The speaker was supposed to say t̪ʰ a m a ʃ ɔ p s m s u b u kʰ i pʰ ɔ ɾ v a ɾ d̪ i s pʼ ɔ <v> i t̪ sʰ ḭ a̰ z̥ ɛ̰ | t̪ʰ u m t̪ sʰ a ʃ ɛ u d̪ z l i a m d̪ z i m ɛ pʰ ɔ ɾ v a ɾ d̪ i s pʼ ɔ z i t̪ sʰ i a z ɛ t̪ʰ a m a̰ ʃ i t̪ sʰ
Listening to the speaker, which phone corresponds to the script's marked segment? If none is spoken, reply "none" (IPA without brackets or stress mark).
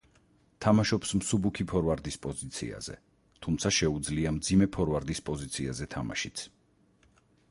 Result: z